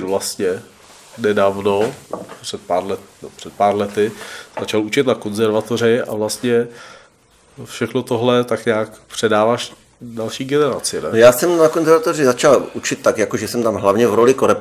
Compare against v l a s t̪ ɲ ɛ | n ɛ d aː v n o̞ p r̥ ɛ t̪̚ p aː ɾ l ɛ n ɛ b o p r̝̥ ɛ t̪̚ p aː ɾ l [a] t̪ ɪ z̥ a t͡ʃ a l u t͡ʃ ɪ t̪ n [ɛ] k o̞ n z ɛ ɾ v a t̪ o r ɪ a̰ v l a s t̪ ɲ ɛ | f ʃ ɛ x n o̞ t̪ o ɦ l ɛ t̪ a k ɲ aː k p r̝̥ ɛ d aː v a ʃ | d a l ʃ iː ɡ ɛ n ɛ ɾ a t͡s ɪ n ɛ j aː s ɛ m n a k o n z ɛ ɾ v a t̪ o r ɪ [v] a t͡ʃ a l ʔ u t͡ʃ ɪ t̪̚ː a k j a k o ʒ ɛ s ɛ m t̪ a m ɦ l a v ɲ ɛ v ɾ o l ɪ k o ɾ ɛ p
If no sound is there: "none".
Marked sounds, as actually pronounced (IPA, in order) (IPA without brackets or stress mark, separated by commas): ɛ, a, z